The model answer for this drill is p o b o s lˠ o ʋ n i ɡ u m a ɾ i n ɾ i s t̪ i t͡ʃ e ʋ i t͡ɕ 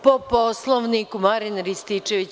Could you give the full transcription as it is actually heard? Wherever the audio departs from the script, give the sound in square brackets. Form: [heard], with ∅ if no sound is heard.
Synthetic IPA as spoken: p o [p] o s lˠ o ʋ n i [k] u m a ɾ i n ɾ i s t̪ i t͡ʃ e ʋ i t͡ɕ

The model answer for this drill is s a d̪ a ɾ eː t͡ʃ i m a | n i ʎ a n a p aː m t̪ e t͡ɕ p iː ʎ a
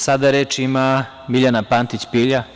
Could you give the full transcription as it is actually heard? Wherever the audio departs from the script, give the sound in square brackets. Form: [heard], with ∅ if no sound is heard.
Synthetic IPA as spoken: s a d̪ a ɾ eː t͡ʃ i m a | [m] i ʎ a n a p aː [n] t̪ [i] t͡ɕ p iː ʎ a

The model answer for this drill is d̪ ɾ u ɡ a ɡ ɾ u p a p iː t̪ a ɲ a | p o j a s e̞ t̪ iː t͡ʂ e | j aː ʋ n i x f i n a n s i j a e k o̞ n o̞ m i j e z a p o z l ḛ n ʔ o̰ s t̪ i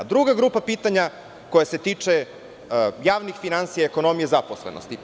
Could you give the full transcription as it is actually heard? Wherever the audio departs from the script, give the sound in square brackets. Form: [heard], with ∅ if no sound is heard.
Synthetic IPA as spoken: d̪ ɾ u ɡ a ɡ ɾ u p a p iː t̪ a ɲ a | [k] o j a s e̞ t̪ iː t͡ʂ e | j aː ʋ n i x f i n a n s i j a e k o̞ n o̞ m i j e z a p o [s] l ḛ n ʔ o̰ s t̪ i

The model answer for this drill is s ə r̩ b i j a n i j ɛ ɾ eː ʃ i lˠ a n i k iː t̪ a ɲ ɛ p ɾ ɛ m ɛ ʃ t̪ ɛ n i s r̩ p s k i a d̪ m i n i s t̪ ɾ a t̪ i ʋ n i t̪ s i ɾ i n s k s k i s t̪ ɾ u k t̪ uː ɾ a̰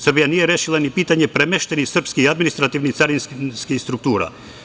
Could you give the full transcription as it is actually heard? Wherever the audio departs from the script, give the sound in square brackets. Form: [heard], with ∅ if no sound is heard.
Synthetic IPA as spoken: s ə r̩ b i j a n i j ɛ ɾ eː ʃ i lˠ a n i [p] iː t̪ a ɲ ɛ p ɾ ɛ m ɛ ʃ t̪ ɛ n i s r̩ p s k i a d̪ m i n i s t̪ ɾ a t̪ i ʋ n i t̪ s [a] ɾ i n s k s k i s t̪ ɾ u k t̪ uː ɾ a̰

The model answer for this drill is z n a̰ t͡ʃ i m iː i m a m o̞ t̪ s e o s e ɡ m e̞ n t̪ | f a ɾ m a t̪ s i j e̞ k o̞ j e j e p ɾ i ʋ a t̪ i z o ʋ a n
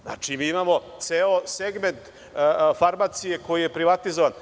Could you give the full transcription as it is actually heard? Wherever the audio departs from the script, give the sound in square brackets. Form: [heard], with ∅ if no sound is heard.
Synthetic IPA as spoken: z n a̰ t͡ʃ i m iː i m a m o̞ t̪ s e o s e ɡ m e̞ n t̪ | f a ɾ m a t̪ s i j e̞ k o̞ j [i] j e p ɾ i ʋ a t̪ i z o ʋ a n

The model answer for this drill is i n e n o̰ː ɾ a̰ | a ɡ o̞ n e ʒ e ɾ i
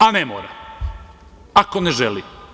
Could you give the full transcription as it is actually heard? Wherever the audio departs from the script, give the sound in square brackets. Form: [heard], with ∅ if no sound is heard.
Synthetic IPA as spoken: [a] n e [m] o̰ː ɾ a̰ | a [k] o̞ n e ʒ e [l] i

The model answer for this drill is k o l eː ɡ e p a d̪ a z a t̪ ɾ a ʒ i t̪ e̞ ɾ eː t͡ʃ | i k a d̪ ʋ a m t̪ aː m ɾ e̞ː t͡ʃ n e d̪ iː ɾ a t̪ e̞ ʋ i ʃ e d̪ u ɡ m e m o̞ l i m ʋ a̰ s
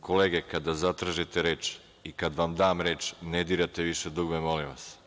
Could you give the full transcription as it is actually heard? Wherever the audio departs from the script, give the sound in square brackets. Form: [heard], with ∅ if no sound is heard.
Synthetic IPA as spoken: k o l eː ɡ e [k] a d̪ a z a t̪ ɾ a ʒ i t̪ e̞ ɾ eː t͡ʃ | i k a d̪ ʋ a m [d̪] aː m ɾ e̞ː t͡ʃ n e d̪ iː ɾ a t̪ e̞ ʋ i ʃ e d̪ u ɡ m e m o̞ l i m ʋ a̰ s

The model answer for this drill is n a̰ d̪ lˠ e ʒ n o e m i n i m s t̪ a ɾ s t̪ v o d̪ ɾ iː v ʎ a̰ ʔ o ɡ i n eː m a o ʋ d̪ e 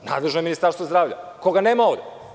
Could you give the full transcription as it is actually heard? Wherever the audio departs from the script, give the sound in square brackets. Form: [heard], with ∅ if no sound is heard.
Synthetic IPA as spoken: n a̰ d̪ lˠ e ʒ n o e m i n i [∅] s t̪ a ɾ s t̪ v o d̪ ɾ [aː] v ʎ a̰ [k] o ɡ [a] n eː m a o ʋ d̪ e

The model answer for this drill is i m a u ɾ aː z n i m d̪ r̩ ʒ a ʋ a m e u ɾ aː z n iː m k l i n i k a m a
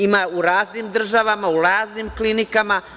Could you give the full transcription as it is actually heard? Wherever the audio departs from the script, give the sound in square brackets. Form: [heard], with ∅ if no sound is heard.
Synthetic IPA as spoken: i m a u ɾ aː z n i m d̪ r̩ ʒ a ʋ a m [a] u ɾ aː z n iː m k l i n i k a m a

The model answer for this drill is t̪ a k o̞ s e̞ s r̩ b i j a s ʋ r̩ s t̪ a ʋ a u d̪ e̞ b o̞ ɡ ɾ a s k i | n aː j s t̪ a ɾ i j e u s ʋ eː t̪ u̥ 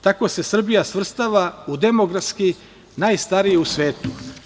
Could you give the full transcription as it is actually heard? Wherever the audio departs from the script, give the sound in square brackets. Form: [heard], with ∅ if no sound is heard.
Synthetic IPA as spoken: t̪ a k o̞ s e̞ s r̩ b i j a s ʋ r̩ s t̪ a ʋ a u d̪ e̞ [m] o̞ ɡ ɾ a s k i | n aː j s t̪ a ɾ i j e u s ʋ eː t̪ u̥

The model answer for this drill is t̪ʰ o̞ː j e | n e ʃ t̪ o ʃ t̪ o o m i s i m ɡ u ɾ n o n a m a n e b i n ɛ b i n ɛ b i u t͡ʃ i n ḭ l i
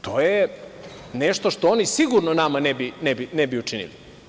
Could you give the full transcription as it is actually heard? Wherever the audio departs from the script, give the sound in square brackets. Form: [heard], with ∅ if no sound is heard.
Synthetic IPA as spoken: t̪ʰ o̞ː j e | n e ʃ t̪ o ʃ t̪ o o [n] i s i [∅] ɡ u ɾ n o n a m a n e b i n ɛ b i n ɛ b i u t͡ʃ i n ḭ l i

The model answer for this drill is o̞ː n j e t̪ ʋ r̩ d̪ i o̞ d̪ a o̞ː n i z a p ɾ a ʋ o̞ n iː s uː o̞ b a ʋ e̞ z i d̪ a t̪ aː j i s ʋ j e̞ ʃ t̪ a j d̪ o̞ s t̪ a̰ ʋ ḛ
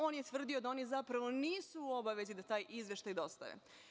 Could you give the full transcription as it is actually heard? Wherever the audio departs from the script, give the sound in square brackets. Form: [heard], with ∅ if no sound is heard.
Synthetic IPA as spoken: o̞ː n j e t̪ ʋ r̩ d̪ i o̞ d̪ a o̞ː n i z a p ɾ a ʋ o̞ n iː s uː o̞ b a ʋ e̞ z i d̪ a t̪ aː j i [z] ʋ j e̞ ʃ t̪ a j d̪ o̞ s t̪ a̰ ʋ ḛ

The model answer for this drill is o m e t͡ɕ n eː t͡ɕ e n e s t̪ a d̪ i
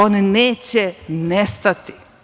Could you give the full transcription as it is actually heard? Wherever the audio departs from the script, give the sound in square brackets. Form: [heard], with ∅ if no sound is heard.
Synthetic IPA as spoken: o [n] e [∅] n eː t͡ɕ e n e s t̪ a [t̪] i

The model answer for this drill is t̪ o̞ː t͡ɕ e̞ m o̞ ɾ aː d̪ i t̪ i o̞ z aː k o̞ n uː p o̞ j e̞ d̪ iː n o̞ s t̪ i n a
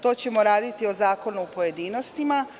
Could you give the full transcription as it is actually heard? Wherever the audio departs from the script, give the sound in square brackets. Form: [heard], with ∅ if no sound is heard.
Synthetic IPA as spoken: t̪ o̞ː t͡ɕ e̞ m o̞ ɾ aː d̪ i t̪ i o̞ z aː k o̞ n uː p o̞ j e̞ d̪ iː n o̞ s t̪ i [m] a

